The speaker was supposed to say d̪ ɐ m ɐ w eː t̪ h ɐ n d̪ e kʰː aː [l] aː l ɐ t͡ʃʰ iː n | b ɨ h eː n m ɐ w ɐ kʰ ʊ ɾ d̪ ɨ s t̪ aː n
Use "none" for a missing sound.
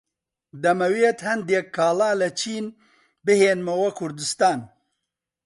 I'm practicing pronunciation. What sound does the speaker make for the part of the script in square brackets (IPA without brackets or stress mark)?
l